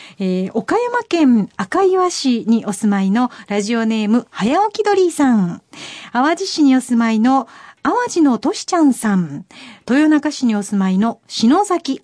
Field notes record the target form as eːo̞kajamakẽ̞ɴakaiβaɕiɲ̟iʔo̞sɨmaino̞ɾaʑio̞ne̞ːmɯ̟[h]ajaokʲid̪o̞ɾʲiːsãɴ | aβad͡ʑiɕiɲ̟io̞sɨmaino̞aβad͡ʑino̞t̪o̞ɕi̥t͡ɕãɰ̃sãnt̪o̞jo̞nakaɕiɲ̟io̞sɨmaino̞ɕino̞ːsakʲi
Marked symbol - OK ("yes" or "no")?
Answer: yes